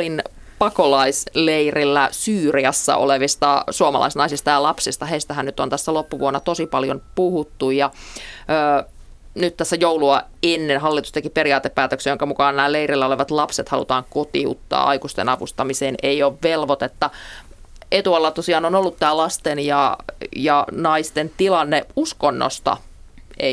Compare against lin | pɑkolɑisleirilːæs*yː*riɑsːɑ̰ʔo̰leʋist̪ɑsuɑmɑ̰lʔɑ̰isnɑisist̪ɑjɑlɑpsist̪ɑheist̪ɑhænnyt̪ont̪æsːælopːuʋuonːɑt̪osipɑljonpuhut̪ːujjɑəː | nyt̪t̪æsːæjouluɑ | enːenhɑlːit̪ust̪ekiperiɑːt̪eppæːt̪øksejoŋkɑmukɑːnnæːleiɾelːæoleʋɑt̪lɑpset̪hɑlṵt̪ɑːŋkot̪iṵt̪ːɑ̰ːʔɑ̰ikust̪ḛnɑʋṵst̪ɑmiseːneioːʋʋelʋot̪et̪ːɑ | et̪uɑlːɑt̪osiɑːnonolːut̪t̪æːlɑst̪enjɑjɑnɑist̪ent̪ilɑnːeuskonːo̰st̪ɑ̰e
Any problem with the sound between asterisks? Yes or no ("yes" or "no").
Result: no